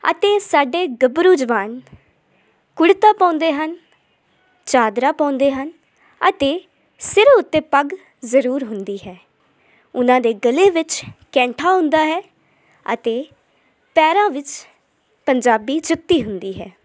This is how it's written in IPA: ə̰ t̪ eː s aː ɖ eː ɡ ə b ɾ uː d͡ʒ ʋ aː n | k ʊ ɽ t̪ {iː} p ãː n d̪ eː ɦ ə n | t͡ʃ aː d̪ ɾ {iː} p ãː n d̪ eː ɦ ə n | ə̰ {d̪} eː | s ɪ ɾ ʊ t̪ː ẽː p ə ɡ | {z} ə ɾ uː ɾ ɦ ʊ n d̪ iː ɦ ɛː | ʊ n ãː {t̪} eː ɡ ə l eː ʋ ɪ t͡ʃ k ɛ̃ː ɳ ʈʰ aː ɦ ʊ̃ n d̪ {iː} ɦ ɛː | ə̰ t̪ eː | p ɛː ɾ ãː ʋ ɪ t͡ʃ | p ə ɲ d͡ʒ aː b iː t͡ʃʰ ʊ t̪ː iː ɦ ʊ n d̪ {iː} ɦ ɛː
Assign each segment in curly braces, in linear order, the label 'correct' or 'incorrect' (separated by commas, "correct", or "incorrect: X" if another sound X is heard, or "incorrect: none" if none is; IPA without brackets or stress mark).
incorrect: aː, incorrect: aː, incorrect: t̪, correct, incorrect: d̪, incorrect: aː, correct